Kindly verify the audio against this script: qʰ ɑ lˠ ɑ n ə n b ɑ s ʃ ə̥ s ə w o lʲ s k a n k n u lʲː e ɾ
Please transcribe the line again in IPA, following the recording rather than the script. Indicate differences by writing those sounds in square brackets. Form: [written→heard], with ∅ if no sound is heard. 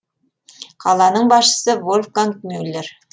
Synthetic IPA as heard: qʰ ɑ lˠ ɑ n ə [n→ɴ] b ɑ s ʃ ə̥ s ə [w→v] o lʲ [s→f] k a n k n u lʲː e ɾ